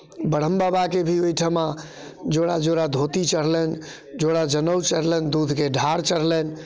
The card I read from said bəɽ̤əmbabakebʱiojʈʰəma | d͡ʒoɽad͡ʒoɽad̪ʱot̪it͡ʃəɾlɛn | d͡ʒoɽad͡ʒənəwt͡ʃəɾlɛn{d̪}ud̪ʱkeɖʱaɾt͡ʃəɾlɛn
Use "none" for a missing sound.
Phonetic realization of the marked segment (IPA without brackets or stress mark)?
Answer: d̪